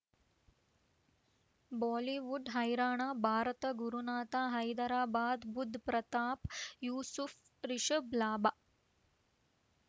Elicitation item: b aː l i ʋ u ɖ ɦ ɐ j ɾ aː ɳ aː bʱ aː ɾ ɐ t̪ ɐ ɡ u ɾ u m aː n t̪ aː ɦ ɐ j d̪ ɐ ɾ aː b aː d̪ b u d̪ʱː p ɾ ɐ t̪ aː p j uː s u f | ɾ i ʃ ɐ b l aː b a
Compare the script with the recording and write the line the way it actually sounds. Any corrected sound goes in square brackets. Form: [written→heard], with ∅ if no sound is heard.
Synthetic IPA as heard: b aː l i ʋ u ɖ ɦ ɐ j ɾ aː ɳ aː bʱ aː ɾ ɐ t̪ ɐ ɡ u ɾ u [m→n] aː [n→∅] t̪ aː ɦ ɐ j d̪ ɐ ɾ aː b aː d̪ b u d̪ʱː p ɾ ɐ t̪ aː p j uː s u f | ɾ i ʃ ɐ b l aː b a